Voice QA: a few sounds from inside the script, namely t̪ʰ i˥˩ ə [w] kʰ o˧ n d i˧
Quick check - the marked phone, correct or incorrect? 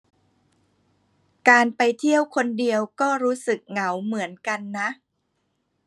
correct